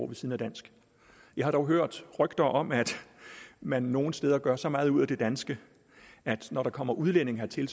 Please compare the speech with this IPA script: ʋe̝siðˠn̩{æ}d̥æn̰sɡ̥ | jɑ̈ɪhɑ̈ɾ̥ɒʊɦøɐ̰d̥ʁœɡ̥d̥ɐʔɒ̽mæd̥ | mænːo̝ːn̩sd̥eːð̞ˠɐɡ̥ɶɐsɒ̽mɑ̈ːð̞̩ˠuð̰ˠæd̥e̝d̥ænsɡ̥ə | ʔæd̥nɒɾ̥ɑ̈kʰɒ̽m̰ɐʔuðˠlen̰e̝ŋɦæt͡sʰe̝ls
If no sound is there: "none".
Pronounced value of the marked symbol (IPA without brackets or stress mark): æ